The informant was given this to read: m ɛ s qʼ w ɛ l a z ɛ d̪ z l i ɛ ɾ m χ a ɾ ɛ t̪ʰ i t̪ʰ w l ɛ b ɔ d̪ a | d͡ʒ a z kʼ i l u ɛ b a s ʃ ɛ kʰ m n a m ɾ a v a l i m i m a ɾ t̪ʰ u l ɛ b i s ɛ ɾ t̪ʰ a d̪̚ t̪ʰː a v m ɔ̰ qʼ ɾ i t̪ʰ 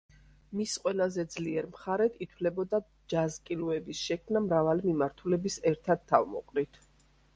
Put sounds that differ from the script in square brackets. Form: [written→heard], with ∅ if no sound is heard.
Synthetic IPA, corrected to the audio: m [ɛ→i] s qʼ w ɛ l a z ɛ d̪ z l i ɛ ɾ m χ a ɾ ɛ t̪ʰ i t̪ʰ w l ɛ b ɔ d̪ a | d͡ʒ a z kʼ i l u ɛ b [a→i] s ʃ ɛ kʰ m n a m ɾ a v a l i m i m a ɾ t̪ʰ u l ɛ b i s ɛ ɾ t̪ʰ a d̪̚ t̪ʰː a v m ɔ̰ qʼ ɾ i t̪ʰ